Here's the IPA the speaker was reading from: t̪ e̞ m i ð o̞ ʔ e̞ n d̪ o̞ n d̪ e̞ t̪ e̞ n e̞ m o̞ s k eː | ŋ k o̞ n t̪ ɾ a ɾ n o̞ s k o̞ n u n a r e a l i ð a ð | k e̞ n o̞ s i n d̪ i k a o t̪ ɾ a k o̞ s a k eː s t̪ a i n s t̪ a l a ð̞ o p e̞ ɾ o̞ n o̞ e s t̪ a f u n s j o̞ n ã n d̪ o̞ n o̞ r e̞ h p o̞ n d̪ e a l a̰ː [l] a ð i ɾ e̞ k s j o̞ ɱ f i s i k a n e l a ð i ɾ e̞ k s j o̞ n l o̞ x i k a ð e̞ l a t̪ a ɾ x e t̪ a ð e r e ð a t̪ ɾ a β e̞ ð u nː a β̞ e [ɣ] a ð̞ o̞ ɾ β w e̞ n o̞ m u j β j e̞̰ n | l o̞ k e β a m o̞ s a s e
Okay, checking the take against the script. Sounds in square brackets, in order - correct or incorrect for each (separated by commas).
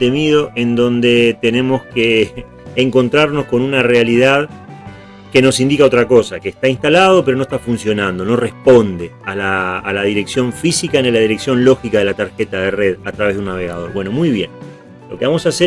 correct, correct